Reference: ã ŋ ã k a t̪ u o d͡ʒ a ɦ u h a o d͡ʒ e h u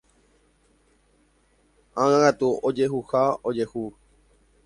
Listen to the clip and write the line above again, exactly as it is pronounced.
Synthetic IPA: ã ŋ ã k a t̪ u o d͡ʒ e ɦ u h a o d͡ʒ e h u